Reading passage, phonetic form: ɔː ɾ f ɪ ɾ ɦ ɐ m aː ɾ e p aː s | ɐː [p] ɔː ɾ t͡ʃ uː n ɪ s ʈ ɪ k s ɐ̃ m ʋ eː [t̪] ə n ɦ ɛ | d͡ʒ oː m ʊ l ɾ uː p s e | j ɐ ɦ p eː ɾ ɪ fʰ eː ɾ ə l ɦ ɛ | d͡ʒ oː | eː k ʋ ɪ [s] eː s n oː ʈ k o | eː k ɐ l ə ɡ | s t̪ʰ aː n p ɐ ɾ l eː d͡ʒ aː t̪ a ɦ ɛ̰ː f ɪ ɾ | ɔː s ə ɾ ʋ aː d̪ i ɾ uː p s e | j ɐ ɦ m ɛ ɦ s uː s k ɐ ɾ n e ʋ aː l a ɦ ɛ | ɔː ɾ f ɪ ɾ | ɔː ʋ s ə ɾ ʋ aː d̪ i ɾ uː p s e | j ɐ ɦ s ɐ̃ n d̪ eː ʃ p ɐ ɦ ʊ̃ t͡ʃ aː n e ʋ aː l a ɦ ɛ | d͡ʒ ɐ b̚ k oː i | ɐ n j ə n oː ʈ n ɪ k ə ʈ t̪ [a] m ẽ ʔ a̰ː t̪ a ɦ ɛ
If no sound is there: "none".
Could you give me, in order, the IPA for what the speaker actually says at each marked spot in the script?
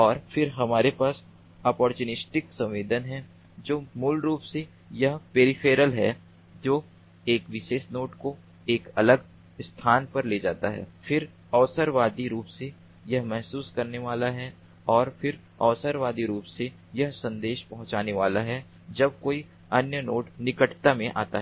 p, d̪, ʃ, a

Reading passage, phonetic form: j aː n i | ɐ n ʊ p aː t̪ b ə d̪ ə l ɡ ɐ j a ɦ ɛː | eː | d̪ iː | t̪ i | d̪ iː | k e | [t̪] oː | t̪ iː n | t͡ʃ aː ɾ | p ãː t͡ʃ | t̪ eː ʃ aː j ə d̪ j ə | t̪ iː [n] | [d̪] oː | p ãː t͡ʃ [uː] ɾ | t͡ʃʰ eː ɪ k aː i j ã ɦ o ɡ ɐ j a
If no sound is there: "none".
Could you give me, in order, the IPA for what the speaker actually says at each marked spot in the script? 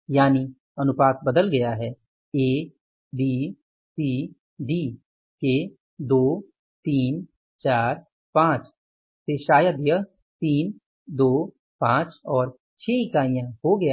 d̪, n, d̪, ɔː

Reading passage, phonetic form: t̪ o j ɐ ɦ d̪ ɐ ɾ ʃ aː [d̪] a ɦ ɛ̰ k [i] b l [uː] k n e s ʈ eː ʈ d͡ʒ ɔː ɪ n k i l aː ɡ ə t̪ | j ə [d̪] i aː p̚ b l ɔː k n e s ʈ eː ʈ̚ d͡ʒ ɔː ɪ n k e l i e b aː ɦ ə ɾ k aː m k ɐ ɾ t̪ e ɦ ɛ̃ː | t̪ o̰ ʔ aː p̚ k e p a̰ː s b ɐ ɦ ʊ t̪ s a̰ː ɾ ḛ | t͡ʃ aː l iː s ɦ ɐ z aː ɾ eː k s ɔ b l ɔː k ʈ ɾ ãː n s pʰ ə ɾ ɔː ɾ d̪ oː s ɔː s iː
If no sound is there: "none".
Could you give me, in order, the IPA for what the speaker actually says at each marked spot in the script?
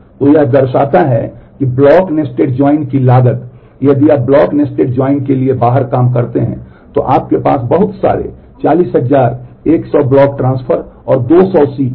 t̪, i, ɔː, d̪

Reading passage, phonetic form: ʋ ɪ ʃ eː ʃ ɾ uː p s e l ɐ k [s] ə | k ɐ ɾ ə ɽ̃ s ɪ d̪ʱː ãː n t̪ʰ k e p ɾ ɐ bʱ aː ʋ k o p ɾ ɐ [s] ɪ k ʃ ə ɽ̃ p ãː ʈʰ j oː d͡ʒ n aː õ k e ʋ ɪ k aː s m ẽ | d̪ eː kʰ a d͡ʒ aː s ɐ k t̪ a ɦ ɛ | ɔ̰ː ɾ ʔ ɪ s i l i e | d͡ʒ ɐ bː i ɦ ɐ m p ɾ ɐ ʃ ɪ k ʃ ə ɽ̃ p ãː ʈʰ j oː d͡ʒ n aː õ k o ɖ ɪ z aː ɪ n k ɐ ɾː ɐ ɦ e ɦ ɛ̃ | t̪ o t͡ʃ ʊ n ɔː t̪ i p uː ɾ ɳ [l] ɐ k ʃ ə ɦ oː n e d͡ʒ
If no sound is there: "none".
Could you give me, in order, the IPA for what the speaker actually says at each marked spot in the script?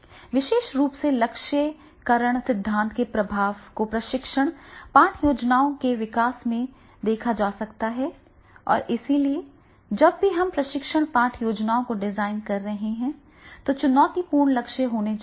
ʃ, ʃ, l

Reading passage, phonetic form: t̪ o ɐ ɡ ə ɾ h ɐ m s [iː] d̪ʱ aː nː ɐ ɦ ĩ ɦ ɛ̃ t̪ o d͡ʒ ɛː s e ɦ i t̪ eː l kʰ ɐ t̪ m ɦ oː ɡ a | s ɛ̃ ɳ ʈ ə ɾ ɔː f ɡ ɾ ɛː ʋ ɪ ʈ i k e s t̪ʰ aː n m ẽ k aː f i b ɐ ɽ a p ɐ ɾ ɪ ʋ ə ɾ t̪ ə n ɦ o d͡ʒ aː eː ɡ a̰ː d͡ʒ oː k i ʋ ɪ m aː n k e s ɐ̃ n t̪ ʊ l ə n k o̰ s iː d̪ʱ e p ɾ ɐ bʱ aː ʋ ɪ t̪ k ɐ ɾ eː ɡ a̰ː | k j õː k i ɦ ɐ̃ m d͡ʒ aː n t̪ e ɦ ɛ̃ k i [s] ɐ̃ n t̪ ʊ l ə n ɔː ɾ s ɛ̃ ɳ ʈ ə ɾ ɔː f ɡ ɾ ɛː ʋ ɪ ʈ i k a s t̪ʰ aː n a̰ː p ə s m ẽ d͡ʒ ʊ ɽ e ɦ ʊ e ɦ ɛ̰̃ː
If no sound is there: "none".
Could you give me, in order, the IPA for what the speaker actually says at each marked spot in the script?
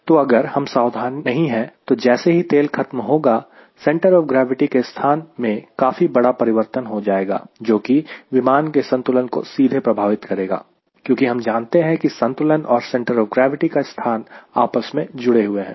aː, s

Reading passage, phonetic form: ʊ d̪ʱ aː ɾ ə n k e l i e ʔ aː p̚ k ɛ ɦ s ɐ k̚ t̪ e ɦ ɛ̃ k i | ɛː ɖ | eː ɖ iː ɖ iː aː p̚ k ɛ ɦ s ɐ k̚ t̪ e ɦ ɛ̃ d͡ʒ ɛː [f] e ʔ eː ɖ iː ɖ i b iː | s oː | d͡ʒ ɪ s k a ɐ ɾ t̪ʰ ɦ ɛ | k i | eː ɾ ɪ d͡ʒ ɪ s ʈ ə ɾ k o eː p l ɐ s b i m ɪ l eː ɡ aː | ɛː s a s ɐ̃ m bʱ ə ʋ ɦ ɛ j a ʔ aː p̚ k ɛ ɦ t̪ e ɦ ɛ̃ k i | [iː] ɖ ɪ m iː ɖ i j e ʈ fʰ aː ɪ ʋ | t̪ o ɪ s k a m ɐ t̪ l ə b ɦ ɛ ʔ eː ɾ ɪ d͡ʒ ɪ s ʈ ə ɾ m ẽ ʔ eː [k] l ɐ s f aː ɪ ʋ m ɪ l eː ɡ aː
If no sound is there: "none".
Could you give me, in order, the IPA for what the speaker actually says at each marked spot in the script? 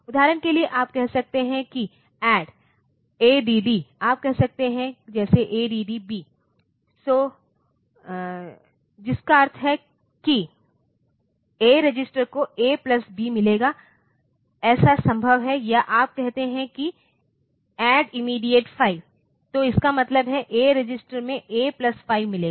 s, ɛː, p

